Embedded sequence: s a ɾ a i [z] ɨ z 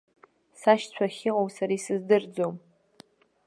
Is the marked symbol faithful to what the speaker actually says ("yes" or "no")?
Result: no